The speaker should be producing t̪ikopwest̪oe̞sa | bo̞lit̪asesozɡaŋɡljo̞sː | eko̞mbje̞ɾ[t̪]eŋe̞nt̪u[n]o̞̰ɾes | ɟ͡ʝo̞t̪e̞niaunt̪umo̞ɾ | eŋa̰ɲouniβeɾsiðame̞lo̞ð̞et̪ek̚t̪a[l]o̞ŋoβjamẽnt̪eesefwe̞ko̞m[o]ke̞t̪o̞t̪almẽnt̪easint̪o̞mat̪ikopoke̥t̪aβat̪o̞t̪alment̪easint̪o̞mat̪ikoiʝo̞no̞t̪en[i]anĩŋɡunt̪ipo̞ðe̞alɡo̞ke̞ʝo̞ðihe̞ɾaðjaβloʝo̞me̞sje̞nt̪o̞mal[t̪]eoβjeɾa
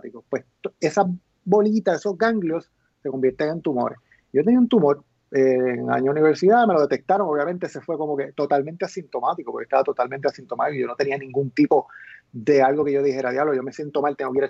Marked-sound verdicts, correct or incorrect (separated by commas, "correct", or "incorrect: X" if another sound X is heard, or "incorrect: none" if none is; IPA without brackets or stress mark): correct, incorrect: m, incorrect: ɾ, correct, correct, correct